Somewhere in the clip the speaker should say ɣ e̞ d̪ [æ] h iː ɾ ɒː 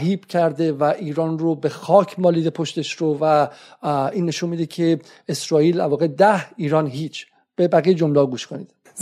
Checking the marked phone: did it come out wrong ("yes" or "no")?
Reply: no